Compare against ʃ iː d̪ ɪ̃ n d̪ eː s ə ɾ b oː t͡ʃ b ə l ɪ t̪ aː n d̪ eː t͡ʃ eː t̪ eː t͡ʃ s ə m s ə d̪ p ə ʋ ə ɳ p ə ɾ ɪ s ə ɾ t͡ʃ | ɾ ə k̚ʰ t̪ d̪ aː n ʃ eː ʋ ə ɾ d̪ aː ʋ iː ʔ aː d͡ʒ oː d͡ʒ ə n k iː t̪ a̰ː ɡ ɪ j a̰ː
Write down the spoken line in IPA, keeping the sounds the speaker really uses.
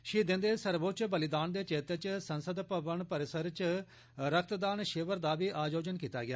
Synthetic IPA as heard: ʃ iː d̪ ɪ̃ n d̪ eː s ə ɾ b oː t͡ʃ b ə l ɪ d̪ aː n d̪ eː t͡ʃ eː t̪ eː t͡ʃ s ə n s ə d̪ p ə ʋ ə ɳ p ə ɾ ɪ s ə ɾ t͡ʃ | ɾ ə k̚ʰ t̪ d̪ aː n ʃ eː ʋ ə ɾ d̪ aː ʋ iː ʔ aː d͡ʒ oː d͡ʒ ə n k iː t̪ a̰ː ɡ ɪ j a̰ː

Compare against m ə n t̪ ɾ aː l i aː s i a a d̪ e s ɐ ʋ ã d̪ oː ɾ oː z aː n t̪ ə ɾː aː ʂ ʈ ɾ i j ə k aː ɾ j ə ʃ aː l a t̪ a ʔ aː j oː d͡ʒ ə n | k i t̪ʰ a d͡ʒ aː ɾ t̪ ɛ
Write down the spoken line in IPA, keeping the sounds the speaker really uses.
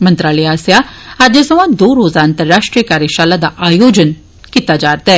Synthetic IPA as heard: m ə n t̪ ɾ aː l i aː s j a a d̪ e s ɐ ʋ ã d̪ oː ɾ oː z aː n t̪ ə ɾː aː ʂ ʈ ɾ i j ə k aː ɾ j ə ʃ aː l a d̪ a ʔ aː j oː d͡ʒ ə n | k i t̪ a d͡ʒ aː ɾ t̪ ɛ

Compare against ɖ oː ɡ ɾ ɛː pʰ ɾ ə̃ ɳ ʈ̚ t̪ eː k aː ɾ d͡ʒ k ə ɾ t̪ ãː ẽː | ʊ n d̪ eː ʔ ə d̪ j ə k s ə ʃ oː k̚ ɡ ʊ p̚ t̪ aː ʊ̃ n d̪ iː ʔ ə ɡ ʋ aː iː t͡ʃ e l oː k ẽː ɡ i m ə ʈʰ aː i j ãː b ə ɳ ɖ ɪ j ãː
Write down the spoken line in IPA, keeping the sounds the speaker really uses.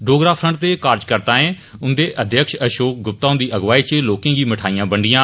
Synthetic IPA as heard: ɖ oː ɡ ɾ aː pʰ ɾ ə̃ ɳ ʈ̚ t̪ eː k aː ɾ d͡ʒ k ə ɾ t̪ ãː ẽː | ʊ n d̪ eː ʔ ə d̪ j ə k ʃ ə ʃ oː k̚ ɡ ʊ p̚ t̪ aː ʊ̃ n d̪ iː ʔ ə ɡ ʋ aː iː t͡ʃ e l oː k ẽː ɡ iː m ə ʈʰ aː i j ãː b ə ɳ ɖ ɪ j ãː

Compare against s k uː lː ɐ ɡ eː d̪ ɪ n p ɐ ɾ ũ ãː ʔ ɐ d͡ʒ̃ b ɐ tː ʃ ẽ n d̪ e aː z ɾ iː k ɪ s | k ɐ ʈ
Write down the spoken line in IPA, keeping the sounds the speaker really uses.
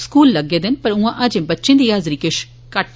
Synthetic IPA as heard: s k uː lː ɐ ɡ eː d̪ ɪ n p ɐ ɾ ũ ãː ʔ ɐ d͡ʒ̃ b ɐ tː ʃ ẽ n d̪ i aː z ɾ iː k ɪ ʃ | k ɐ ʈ

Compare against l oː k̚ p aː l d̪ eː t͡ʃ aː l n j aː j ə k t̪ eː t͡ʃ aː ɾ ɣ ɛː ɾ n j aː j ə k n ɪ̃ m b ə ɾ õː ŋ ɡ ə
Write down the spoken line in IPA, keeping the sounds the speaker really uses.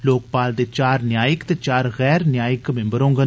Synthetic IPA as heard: l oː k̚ p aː l d̪ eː t͡ʃ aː ɾ n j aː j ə k t̪ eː t͡ʃ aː ɾ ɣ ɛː ɾ n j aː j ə k m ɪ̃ m b ə ɾ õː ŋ ɡ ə

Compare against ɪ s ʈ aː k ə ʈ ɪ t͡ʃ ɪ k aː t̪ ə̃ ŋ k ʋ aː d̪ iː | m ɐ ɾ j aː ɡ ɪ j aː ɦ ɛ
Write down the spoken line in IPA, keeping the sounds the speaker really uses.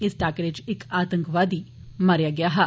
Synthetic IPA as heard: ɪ s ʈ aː k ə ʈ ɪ t͡ʃ ɪ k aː t̪ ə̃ ŋ k ʋ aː d̪ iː | m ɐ ɾ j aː ɡ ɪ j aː ɦ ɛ

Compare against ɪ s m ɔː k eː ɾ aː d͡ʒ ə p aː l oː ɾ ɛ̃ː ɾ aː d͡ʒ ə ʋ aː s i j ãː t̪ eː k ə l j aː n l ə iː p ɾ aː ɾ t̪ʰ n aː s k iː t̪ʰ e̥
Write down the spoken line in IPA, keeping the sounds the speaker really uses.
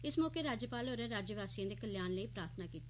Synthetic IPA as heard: ɪ s m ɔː k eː ɾ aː d͡ʒ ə p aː l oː ɾ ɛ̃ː ɾ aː d͡ʒ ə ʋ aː s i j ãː d̪ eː k ə l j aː n l ə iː p ɾ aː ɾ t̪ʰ n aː k iː t̪ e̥

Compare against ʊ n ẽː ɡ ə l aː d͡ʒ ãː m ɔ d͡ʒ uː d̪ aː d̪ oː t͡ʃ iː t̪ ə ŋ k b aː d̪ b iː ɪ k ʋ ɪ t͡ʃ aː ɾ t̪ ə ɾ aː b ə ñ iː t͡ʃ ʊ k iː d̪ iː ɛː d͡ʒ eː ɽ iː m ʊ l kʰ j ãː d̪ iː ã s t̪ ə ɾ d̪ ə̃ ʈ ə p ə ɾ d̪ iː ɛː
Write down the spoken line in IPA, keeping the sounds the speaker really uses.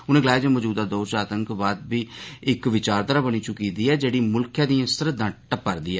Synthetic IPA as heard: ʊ n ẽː ɡ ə l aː d͡ʒ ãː m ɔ d͡ʒ uː d̪ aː d̪ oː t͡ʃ aː t̪ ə ŋ k b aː d̪ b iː ɪ k ʋ ɪ t͡ʃ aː ɾ t̪ ə ɾ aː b ə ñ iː t͡ʃ ʊ k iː d̪ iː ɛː d͡ʒ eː ɽ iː m ʊ l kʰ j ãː d̪ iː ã s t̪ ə ɾ d̪ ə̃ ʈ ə p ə ɾ d̪ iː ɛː

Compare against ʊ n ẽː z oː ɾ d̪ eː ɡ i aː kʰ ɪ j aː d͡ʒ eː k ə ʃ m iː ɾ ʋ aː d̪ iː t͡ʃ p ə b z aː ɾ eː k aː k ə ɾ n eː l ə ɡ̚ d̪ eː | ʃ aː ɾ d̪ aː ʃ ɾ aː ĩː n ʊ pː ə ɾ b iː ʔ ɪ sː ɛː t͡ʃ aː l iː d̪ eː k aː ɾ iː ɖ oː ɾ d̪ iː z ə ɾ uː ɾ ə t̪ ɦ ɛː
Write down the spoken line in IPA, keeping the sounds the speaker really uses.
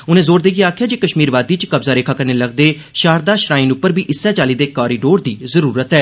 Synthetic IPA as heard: ʊ n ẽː z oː ɾ d̪ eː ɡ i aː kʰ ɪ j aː d͡ʒ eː k ə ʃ m iː ɾ ʋ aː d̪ iː t͡ʃ k ə b z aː ɾ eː kʰ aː k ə ɾ n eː l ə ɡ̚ d̪ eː | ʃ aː ɾ d̪ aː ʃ ɾ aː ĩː n ʊ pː ə ɾ b iː ʔ ɪ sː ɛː t͡ʃ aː l iː d̪ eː k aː ɾ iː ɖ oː ɾ d̪ iː z ə ɾ uː ɾ ə t̪ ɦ ɛː

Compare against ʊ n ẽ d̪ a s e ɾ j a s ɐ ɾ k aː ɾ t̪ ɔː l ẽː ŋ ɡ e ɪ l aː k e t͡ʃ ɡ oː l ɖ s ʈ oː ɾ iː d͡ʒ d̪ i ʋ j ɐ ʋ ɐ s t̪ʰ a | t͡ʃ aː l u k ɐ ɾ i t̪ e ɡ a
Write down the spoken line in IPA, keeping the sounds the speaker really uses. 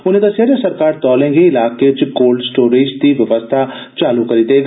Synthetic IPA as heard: ʊ n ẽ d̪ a s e ɾ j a s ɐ ɾ k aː ɾ t̪ ɔː l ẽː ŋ ɡ e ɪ l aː k e t͡ʃ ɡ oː l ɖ s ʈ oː ɾ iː d͡ʒ d̪ i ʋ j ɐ ʋ ə s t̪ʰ a | t͡ʃ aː l u k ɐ ɾ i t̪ e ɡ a

